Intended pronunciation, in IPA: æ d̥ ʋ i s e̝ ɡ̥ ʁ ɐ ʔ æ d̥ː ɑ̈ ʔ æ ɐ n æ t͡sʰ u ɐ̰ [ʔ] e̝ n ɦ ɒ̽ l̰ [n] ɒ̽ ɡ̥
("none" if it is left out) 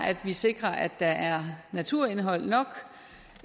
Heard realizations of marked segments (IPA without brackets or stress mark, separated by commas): none, n